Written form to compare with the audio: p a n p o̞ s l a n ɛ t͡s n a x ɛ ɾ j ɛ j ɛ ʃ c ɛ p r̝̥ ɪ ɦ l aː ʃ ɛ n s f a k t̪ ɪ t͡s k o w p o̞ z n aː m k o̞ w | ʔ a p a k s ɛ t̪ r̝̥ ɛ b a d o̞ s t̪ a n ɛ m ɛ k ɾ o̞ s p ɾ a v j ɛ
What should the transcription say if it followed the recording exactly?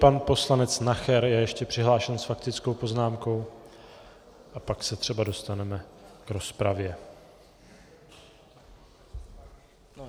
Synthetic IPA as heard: p a n p o̞ s l a n ɛ t͡s n a x ɛ ɾ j ɛ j ɛ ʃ c ɛ p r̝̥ ɪ ɦ l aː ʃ ɛ n s f a k t̪ ɪ t͡s k o w p o̞ z n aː m k o̞ w | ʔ a p a k s ɛ t̪ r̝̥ ɛ b a d o̞ s t̪ a n ɛ m ɛ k ɾ o̞ s p ɾ a v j ɛ